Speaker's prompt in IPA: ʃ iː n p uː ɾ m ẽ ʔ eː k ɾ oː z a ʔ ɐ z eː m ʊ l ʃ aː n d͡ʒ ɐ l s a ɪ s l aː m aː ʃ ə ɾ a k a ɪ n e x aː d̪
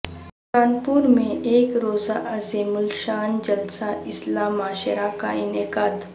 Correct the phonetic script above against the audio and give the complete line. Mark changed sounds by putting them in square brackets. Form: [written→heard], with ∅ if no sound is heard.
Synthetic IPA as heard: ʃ [iː→aː] n p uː ɾ m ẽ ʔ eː k ɾ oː z a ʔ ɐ z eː m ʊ l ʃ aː n d͡ʒ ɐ l s a ɪ s l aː m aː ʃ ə ɾ a k a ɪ n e [x→k] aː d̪